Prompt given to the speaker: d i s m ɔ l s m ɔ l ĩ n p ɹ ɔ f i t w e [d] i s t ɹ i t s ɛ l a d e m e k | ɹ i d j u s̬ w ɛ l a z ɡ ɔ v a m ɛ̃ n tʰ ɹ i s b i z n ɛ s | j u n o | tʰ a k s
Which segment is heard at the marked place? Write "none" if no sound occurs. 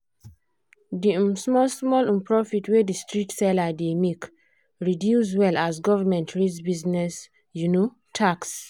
d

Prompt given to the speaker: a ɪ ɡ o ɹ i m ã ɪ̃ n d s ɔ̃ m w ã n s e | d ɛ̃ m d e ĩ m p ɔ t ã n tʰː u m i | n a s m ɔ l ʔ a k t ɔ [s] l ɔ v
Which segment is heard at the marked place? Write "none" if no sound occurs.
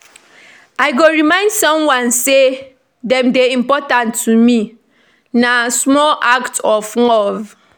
f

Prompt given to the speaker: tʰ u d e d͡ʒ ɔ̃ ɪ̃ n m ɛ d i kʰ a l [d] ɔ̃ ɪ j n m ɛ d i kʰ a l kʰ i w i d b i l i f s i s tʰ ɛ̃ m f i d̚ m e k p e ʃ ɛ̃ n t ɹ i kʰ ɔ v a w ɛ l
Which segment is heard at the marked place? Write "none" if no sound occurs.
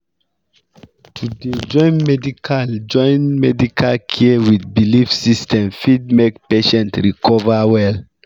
d͡ʒ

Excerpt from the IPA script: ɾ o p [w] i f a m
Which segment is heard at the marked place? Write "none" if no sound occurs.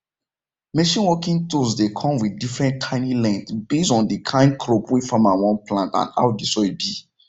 w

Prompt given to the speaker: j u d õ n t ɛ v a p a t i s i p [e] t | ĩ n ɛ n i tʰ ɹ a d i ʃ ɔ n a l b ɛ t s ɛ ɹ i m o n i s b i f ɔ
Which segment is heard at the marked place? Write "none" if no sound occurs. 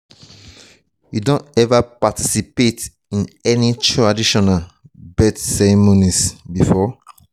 e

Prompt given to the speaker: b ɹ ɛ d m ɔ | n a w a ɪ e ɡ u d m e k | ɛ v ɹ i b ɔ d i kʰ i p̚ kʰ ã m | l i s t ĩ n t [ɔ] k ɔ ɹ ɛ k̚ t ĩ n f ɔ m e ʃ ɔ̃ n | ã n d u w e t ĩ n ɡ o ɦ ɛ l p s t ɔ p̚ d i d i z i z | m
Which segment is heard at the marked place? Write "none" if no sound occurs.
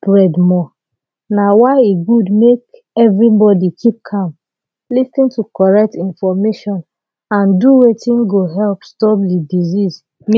u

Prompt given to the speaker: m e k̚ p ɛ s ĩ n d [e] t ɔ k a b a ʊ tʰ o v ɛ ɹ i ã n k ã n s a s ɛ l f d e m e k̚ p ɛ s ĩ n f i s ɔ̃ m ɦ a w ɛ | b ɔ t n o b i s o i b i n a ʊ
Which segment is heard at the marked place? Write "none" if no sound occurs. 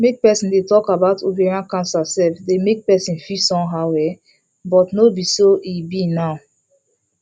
e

